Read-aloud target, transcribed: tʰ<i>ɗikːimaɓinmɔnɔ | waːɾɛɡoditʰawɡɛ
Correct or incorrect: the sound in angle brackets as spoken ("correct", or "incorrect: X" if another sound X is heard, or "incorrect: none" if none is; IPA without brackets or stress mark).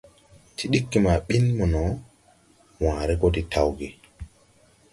correct